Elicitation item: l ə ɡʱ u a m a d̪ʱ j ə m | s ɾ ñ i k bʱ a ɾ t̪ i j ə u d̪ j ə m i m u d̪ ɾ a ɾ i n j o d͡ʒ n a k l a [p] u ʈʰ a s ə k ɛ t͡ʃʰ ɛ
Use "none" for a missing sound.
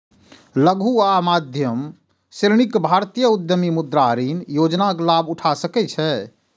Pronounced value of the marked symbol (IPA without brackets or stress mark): b